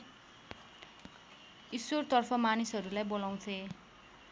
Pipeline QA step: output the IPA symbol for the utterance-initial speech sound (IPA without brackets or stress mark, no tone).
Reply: i